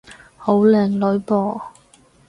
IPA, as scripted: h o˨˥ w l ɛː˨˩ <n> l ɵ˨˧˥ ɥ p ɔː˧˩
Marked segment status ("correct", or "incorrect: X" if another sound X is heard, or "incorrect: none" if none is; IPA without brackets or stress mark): incorrect: ŋ